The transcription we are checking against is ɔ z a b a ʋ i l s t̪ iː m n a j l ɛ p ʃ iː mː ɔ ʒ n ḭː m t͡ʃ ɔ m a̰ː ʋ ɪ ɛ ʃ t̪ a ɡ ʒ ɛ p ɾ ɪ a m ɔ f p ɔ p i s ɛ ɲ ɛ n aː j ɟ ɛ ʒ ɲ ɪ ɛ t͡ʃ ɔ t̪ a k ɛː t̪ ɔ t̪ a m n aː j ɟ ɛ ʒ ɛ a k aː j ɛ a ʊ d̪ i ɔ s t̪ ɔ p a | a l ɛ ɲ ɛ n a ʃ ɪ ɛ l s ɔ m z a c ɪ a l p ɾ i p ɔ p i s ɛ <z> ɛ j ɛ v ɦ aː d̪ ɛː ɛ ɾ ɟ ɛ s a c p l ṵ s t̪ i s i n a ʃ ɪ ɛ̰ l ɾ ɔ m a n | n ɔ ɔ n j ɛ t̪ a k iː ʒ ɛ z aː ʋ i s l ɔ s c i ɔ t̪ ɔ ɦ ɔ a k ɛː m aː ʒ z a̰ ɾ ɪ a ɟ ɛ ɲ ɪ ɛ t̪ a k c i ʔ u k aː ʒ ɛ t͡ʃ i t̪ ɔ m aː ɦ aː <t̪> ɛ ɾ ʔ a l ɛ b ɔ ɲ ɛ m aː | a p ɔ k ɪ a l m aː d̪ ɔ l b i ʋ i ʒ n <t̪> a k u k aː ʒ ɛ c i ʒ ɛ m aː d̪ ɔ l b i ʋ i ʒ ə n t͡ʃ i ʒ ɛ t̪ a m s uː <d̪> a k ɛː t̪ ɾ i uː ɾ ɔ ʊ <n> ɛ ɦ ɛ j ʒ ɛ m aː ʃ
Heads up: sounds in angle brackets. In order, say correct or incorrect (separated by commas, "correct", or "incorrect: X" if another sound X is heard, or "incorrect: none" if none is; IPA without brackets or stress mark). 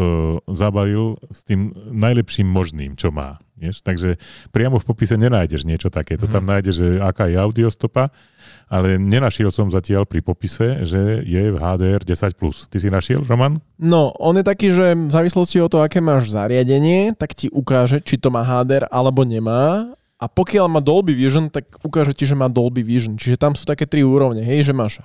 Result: incorrect: ʒ, incorrect: d̪, correct, incorrect: t̪, incorrect: ɲ